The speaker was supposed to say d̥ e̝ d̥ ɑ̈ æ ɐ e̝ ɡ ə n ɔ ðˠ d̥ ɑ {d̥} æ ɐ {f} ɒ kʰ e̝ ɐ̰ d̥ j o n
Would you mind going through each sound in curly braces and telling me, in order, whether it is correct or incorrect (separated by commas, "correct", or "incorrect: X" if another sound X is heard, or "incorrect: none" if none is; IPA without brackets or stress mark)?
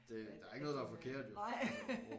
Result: incorrect: none, correct